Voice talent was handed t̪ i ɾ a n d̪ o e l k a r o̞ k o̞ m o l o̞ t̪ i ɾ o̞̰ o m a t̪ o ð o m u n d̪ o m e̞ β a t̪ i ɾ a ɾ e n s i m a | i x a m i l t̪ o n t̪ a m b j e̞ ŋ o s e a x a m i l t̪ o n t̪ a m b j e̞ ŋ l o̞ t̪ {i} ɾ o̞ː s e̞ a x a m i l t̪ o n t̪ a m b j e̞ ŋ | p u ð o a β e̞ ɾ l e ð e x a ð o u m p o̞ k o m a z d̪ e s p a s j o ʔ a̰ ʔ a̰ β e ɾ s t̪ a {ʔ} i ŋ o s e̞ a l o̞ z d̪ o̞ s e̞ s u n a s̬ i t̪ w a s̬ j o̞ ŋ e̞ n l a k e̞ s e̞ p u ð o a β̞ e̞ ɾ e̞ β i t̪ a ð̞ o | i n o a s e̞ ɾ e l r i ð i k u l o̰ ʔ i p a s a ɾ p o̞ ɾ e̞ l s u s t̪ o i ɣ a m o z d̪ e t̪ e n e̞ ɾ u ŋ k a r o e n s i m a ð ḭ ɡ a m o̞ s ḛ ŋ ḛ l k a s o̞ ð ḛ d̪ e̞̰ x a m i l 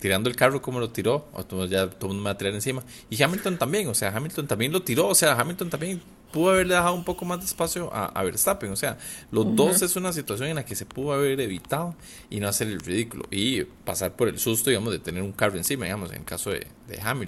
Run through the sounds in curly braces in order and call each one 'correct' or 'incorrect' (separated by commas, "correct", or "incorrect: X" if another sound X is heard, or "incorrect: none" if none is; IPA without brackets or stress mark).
correct, incorrect: p